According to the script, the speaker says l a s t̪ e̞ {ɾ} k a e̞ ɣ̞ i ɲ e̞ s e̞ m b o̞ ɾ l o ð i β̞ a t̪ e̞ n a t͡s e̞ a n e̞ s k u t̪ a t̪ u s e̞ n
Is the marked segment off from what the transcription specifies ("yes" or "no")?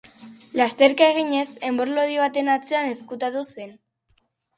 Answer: no